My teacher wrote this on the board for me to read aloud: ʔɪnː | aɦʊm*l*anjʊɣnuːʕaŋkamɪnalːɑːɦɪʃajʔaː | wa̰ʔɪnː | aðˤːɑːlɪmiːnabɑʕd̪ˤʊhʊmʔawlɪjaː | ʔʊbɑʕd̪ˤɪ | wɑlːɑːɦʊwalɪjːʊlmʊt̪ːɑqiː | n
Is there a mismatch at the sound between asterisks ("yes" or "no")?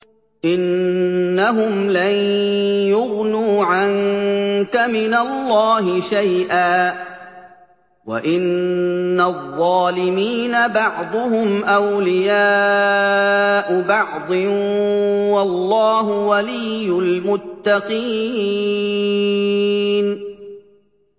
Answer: no